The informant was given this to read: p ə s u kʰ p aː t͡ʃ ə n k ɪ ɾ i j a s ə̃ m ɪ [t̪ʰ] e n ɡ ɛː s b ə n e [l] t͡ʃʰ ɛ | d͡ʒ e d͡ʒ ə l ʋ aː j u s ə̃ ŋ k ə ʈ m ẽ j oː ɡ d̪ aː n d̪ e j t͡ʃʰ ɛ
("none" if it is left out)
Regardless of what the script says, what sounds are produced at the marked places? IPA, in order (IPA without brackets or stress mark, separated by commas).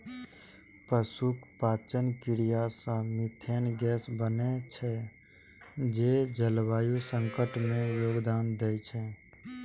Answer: t̪ʰ, none